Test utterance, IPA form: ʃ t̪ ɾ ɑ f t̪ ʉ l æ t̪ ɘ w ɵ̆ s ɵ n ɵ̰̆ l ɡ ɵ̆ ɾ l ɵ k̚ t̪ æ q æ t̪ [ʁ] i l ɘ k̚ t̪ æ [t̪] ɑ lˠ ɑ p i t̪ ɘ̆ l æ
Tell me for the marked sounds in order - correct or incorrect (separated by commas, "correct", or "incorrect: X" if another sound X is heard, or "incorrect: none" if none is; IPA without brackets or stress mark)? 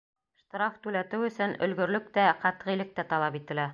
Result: correct, correct